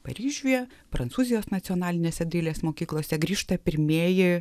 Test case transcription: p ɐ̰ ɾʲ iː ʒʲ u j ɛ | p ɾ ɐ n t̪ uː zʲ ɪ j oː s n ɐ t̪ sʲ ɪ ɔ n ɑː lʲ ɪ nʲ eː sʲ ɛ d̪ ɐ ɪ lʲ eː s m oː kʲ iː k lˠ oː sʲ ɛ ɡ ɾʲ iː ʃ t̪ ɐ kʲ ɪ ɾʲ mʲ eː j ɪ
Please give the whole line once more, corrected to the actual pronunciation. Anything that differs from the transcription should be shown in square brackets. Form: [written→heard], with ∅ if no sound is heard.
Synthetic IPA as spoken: p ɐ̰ ɾʲ iː ʒʲ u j ɛ | p ɾ ɐ n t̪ uː zʲ ɪ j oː s n ɐ t̪ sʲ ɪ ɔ n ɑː lʲ ɪ nʲ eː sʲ ɛ d̪ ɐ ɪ lʲ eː s m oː kʲ iː k lˠ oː sʲ ɛ ɡ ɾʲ iː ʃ t̪ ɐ [kʲ→pʲ] ɪ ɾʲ mʲ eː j ɪ